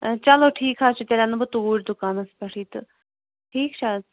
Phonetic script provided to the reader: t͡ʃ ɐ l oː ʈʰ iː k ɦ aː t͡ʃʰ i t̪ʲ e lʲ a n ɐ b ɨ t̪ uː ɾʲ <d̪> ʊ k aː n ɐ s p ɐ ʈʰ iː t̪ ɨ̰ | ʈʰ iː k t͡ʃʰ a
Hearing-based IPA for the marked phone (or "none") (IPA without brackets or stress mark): d̪